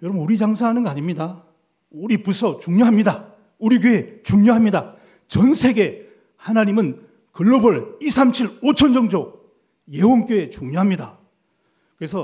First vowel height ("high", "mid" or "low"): mid